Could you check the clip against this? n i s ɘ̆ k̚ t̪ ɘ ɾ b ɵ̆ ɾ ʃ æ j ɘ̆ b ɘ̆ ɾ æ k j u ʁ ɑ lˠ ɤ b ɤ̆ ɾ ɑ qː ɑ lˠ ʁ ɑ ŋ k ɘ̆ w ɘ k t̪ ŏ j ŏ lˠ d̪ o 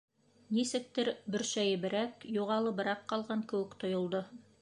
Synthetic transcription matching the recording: n i s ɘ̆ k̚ t̪ ɘ ɾ b ɵ̆ ɾ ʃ æ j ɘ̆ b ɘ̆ ɾ æ k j u ʁ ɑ lˠ ɤ b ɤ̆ ɾ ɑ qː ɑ lˠ ʁ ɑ ŋ k ɘ̆ w ɘ k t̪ ŏ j ŏ lˠ d̪ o